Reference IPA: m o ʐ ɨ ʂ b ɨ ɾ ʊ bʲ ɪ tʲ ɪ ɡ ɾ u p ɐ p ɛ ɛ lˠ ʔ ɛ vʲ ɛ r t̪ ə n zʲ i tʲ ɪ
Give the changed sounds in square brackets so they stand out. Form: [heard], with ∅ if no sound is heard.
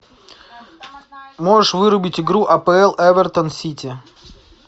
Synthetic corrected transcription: m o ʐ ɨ ʂ [v] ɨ ɾ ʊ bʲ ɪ tʲ ɪ ɡ ɾ u [ʔ] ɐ p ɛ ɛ lˠ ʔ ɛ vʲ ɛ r t̪ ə n [sʲ] i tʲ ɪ